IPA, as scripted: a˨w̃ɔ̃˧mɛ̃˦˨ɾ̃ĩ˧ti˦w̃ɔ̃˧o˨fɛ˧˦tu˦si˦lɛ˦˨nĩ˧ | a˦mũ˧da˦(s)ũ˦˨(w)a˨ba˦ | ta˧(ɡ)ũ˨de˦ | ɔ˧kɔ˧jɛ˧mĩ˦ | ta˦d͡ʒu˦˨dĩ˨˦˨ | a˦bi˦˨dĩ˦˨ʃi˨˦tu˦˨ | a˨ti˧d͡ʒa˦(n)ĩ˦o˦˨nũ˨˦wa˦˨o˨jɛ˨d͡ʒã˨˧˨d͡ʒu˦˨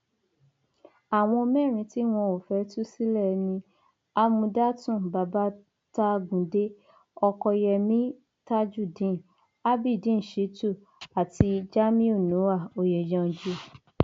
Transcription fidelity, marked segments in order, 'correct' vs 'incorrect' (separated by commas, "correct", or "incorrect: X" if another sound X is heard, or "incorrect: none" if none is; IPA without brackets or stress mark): incorrect: t, incorrect: b, correct, incorrect: m